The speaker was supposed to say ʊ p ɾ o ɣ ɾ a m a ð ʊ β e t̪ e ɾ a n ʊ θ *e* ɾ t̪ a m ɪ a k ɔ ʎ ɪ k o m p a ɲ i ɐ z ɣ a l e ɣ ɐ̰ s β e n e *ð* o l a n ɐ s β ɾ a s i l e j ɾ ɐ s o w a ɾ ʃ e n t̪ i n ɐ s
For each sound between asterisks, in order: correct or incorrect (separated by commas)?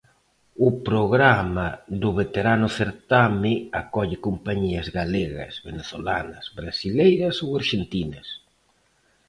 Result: correct, incorrect